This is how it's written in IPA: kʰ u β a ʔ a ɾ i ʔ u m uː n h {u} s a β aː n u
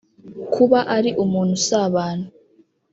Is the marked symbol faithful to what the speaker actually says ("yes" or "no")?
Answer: yes